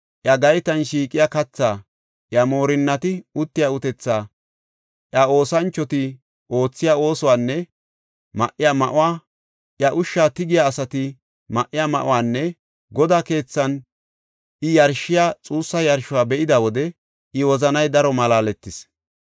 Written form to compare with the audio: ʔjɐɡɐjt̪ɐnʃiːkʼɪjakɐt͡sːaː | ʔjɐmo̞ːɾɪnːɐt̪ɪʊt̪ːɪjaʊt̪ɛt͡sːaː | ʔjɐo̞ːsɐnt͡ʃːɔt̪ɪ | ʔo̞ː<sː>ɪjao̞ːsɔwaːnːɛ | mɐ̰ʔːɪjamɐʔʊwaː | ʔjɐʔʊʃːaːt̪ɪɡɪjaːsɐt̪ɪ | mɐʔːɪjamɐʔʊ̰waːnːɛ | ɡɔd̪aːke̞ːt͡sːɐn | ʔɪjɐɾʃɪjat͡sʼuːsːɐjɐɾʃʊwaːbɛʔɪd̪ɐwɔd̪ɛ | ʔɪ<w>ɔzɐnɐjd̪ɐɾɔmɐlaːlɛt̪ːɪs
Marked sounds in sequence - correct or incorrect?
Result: incorrect: t͡sː, correct

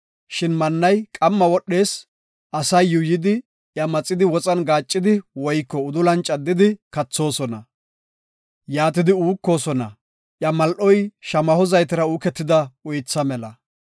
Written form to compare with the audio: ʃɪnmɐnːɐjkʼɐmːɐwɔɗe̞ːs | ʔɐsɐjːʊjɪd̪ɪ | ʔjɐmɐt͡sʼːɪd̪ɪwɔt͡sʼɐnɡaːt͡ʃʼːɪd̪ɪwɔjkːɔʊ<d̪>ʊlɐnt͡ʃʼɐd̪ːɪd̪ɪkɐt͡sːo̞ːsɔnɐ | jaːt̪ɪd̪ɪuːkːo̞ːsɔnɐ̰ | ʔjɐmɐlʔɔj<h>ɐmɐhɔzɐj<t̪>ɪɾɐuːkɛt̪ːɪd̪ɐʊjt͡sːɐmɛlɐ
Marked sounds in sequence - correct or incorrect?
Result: correct, incorrect: ʃ, correct

